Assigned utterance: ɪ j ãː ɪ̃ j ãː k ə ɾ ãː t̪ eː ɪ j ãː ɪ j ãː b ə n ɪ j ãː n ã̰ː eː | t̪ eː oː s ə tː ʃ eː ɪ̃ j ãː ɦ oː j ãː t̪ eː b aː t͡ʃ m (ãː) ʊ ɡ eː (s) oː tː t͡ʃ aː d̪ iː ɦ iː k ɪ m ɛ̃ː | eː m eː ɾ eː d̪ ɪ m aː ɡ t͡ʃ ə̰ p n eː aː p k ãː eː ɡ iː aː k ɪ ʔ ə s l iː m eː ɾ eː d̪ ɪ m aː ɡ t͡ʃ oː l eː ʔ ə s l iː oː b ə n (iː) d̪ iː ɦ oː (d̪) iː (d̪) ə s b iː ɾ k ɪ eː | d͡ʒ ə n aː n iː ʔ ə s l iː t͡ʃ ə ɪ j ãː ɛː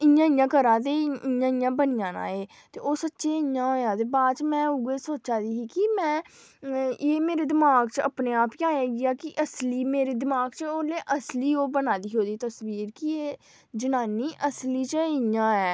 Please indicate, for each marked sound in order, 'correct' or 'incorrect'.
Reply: incorrect: ɛ̃ː, correct, incorrect: aː, correct, incorrect: t̪

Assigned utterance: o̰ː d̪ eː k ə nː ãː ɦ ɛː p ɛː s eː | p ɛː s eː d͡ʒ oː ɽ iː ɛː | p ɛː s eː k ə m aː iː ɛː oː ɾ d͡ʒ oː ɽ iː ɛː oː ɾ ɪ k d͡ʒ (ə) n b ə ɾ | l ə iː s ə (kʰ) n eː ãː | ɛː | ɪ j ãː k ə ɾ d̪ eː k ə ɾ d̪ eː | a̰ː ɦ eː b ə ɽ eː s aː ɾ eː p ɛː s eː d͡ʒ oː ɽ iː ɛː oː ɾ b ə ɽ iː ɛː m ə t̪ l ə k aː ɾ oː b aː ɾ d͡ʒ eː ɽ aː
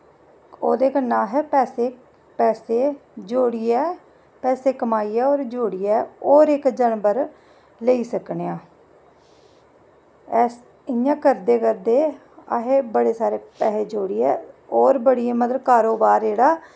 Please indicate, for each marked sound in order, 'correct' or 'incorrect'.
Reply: correct, incorrect: k

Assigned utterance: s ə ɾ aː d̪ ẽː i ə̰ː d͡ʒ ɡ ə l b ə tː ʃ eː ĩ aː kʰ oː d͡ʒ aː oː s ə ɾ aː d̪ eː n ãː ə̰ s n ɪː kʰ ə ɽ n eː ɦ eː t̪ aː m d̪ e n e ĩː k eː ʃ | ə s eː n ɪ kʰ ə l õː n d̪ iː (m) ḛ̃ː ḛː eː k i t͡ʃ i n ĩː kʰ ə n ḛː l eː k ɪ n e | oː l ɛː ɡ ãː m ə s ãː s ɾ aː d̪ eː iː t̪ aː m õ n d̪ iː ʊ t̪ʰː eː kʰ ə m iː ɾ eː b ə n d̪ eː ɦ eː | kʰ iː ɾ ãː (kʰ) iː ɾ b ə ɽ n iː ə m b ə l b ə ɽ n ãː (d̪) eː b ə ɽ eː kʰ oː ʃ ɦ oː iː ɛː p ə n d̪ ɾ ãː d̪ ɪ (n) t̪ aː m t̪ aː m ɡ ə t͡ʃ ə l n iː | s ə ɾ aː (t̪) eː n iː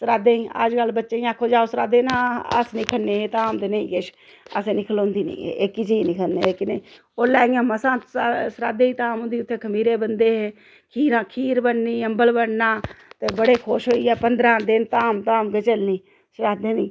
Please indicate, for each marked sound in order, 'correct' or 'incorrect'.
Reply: incorrect: n, correct, incorrect: t̪, correct, incorrect: d̪

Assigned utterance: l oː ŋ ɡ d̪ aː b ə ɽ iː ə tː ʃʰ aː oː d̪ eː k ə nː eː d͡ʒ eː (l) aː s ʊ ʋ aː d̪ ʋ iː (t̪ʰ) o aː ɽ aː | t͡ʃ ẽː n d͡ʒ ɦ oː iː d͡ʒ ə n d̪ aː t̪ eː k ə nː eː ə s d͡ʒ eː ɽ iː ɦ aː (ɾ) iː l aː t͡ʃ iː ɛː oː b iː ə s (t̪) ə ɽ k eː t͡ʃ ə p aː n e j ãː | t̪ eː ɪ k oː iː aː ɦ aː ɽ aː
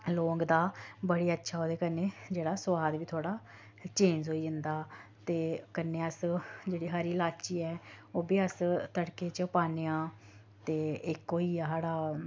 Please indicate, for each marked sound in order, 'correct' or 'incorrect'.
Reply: incorrect: ɽ, correct, correct, correct

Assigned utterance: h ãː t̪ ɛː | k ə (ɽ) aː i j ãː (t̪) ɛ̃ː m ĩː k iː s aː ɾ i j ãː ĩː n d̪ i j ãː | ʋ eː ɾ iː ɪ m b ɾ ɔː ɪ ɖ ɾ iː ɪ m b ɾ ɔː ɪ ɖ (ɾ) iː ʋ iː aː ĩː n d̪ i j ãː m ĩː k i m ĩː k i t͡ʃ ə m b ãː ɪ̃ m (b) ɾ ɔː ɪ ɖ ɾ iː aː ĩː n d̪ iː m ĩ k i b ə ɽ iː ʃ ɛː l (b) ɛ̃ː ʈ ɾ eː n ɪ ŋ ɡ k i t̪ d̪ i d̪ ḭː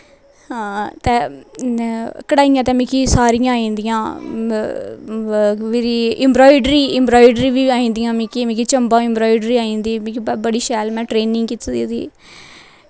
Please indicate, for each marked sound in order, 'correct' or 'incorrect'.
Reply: correct, correct, correct, correct, incorrect: m

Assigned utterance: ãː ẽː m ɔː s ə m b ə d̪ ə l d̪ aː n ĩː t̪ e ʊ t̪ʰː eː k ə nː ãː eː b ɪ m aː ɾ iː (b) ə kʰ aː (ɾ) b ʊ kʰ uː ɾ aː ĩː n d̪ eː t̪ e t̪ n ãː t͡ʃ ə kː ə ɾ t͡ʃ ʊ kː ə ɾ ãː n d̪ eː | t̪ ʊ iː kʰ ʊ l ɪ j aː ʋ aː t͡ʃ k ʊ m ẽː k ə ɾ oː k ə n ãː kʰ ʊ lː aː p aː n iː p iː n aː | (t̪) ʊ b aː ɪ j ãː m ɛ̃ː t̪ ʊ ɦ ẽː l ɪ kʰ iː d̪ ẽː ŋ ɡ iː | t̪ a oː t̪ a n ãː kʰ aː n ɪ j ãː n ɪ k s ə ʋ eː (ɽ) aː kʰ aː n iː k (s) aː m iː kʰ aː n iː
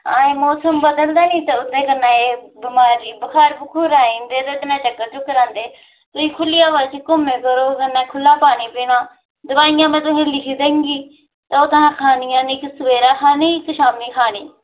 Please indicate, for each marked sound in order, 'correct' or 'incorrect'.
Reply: correct, correct, incorrect: d̪, incorrect: ɾ, incorrect: ʃ

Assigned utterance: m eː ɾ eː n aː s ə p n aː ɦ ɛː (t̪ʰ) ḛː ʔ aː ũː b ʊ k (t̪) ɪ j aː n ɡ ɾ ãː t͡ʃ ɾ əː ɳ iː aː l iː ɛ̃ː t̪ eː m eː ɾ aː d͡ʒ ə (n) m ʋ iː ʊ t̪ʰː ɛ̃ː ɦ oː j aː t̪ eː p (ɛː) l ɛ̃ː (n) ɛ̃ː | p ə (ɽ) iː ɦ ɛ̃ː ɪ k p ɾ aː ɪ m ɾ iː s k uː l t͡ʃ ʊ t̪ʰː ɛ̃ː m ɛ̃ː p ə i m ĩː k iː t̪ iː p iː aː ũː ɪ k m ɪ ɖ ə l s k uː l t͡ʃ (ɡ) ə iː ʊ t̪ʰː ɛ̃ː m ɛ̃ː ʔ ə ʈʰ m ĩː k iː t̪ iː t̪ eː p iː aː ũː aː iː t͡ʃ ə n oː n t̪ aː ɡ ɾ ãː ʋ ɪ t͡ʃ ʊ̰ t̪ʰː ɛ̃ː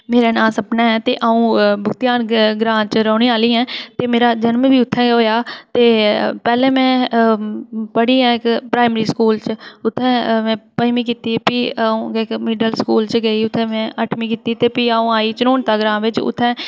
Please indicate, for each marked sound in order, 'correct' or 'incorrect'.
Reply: incorrect: t̪, correct, correct, correct, incorrect: m, correct, correct

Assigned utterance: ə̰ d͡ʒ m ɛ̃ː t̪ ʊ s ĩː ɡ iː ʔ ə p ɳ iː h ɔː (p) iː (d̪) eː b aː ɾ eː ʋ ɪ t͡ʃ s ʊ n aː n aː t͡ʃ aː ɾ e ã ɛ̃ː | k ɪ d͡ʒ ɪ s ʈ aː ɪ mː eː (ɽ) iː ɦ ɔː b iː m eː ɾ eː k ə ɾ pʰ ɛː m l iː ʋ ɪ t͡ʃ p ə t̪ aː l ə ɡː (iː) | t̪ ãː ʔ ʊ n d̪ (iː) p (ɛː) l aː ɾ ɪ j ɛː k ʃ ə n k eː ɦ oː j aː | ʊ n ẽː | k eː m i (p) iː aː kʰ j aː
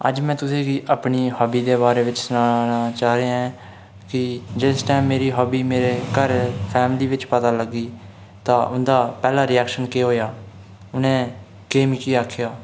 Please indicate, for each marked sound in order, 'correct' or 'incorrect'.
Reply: incorrect: b, correct, incorrect: ɾ, correct, incorrect: aː, correct, incorrect: k

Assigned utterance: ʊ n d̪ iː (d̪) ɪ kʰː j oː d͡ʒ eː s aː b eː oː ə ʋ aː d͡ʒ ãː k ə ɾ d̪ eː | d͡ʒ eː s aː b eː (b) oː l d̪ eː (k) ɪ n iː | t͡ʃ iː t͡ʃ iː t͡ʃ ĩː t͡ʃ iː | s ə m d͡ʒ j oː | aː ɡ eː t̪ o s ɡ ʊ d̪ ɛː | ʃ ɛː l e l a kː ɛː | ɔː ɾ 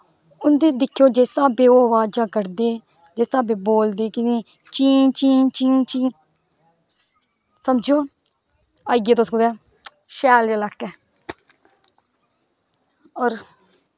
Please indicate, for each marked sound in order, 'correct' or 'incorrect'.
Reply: correct, correct, correct

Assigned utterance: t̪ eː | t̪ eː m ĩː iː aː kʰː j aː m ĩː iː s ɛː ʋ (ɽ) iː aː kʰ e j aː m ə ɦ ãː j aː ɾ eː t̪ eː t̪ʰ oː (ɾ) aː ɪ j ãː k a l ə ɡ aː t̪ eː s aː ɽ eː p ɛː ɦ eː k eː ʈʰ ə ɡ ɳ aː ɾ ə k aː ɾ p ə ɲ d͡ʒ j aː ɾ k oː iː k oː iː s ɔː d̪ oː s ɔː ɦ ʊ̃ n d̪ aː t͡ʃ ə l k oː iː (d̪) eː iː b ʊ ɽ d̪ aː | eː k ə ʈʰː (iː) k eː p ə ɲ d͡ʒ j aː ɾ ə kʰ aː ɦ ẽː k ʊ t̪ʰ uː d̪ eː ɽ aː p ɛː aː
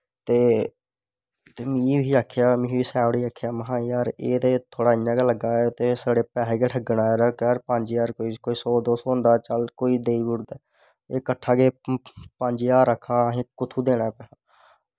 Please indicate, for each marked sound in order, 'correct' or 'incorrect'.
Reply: correct, incorrect: ɽ, correct, incorrect: aː

